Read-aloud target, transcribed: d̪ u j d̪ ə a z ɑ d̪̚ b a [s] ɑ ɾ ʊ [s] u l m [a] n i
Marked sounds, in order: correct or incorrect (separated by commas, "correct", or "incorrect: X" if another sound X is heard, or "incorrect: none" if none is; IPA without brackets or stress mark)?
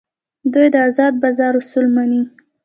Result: incorrect: z, correct, correct